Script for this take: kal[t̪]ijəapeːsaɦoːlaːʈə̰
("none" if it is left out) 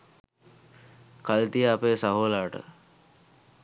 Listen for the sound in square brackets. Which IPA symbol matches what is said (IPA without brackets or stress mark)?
t̪